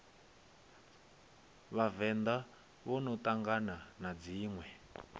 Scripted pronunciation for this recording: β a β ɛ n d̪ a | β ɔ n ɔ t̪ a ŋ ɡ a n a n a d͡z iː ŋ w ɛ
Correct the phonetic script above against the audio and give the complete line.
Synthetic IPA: β a v ɛ n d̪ a | β ɔ n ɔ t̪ a ŋ ɡ a n a n a d͡z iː ŋ w ɛ